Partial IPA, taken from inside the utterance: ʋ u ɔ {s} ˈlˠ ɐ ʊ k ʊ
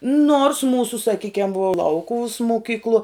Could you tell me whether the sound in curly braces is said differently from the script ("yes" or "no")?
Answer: yes